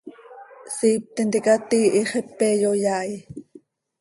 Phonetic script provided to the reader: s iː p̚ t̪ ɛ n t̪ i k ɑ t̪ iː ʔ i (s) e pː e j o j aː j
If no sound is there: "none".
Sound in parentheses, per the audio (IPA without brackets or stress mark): χ